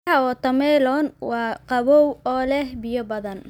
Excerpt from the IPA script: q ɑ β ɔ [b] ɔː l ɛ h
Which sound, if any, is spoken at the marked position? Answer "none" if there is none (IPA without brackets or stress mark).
w